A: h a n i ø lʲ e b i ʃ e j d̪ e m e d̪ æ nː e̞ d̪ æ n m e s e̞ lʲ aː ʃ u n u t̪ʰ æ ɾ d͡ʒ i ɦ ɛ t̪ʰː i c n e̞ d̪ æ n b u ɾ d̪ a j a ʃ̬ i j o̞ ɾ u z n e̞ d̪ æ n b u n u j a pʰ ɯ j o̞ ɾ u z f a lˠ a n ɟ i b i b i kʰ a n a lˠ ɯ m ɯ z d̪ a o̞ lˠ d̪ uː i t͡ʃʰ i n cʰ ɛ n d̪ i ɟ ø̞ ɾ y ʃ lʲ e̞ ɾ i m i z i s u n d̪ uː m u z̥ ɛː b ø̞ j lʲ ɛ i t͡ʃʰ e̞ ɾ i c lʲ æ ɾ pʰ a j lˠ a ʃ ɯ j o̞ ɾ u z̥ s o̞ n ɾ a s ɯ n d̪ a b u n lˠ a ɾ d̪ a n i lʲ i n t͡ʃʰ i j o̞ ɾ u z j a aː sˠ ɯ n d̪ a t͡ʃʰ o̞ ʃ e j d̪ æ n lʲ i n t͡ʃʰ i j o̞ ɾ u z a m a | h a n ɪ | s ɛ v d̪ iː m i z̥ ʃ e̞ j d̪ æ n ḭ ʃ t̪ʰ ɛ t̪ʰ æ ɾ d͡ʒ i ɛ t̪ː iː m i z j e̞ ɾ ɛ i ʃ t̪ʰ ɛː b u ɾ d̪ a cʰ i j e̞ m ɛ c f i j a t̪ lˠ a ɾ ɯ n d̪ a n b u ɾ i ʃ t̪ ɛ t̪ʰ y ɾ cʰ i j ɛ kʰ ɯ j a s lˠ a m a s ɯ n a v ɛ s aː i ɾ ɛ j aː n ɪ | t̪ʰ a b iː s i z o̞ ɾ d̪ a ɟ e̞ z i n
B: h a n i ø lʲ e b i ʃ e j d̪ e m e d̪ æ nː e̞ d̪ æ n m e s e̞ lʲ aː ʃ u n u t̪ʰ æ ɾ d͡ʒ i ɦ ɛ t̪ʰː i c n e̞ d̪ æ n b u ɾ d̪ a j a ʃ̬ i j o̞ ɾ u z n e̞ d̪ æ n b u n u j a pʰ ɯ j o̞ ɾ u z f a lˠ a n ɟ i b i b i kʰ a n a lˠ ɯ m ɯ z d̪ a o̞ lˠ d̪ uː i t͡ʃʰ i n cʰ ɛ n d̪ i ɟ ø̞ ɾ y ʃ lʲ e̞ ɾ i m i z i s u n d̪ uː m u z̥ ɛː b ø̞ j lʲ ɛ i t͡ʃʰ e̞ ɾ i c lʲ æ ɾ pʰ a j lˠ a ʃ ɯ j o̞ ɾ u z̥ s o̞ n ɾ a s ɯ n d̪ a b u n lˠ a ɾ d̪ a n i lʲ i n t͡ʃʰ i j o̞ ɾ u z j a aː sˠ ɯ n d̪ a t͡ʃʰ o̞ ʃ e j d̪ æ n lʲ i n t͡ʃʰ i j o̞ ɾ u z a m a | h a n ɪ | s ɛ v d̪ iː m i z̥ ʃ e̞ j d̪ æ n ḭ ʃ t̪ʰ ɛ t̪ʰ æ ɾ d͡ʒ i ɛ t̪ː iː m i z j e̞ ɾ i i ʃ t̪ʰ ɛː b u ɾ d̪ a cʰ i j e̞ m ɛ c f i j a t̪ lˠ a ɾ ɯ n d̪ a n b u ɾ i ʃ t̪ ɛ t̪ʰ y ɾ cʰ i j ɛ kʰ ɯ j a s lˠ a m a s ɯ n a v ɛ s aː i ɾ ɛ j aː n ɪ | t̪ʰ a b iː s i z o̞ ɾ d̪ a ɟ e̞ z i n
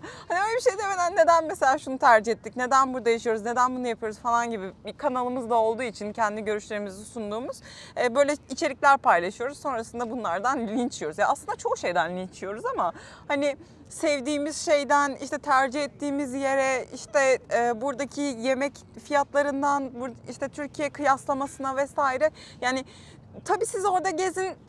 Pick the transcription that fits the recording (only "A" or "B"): A